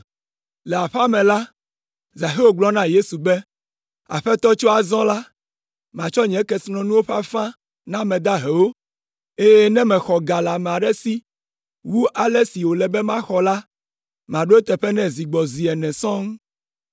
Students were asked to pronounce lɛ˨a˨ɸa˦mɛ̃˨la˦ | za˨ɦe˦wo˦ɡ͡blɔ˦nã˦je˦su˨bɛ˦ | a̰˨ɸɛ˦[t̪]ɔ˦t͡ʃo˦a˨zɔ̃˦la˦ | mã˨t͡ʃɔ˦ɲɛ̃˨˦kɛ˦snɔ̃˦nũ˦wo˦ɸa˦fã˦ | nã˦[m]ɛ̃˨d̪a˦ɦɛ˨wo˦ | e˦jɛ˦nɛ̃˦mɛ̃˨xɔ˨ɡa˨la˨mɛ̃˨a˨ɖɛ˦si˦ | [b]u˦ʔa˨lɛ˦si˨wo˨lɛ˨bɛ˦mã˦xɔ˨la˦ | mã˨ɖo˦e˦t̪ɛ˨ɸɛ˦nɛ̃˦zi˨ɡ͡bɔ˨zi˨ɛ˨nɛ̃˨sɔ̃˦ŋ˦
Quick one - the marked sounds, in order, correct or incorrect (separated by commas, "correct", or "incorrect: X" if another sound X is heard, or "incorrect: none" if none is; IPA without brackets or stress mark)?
correct, correct, incorrect: w